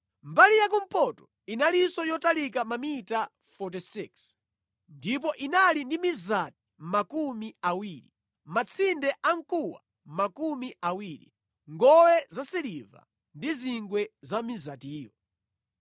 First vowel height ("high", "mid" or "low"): low